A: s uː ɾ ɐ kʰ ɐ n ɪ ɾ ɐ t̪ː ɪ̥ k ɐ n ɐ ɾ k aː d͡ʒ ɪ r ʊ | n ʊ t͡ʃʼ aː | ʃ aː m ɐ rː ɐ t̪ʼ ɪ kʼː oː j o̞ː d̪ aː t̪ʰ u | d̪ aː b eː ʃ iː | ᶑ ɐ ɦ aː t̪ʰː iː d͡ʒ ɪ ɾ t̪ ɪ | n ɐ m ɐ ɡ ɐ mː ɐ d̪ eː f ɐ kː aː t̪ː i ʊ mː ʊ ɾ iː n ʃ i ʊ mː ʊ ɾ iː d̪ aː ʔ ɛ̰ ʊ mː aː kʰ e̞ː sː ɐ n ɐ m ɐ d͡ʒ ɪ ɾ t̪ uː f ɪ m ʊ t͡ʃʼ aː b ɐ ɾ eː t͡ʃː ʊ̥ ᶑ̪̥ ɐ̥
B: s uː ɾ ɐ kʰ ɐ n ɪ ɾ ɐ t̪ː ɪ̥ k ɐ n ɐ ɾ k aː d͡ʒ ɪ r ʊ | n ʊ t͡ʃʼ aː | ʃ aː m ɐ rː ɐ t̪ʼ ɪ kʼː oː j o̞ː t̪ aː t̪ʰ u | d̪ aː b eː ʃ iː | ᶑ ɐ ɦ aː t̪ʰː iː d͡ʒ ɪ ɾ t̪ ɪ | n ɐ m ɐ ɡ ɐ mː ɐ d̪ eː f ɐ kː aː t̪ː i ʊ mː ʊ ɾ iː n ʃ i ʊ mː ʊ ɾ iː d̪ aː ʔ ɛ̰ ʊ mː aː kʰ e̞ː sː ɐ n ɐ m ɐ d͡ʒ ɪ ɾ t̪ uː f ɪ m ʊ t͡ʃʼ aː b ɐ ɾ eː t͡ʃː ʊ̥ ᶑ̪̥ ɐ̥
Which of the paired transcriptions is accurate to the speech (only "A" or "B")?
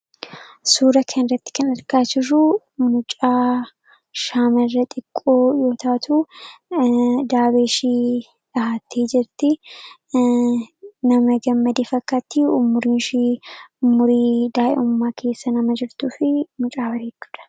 B